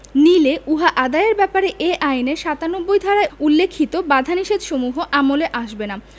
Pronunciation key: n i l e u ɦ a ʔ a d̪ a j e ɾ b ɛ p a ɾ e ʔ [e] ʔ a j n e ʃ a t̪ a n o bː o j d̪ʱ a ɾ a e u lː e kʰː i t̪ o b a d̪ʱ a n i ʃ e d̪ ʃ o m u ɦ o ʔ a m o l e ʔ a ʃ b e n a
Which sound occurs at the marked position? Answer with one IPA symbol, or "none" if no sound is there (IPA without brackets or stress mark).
e